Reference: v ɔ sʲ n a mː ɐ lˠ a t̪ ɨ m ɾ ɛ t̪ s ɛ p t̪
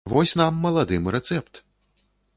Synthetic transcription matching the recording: v ɔ sʲ n a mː ɐ lˠ a d̪ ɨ m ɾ ɛ t̪ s ɛ p t̪